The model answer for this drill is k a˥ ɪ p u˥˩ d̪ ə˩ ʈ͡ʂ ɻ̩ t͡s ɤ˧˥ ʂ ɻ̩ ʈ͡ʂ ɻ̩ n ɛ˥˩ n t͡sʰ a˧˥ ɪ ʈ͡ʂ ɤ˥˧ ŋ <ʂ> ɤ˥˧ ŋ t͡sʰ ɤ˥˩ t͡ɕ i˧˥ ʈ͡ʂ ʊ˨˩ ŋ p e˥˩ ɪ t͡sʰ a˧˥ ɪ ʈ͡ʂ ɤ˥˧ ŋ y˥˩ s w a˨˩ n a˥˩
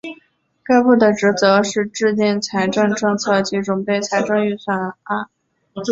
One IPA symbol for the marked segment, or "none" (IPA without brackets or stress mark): ʈ͡ʂ